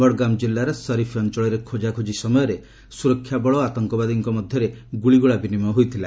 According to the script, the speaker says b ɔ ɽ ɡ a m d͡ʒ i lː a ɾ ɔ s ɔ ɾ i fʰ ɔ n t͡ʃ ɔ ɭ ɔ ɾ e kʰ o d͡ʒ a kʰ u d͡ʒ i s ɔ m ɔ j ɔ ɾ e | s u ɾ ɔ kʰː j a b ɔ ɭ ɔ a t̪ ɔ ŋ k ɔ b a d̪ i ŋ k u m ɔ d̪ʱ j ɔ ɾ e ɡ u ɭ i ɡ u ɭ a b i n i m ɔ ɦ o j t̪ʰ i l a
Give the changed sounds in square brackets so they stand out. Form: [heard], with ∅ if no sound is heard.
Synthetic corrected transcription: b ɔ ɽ ɡ a m d͡ʒ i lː a ɾ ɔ s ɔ ɾ i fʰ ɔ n t͡ʃ ɔ ɭ ɔ ɾ e kʰ o d͡ʒ a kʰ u d͡ʒ i s ɔ m ɔ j ɔ ɾ e | s u ɾ ɔ kʰː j a b ɔ ɭ ɔ a t̪ ɔ ŋ k ɔ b a d̪ i ŋ k [ɔ] m ɔ d̪ʱ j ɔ ɾ e ɡ u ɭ i ɡ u ɭ a b i n i m ɔ ɦ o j t̪ʰ i l a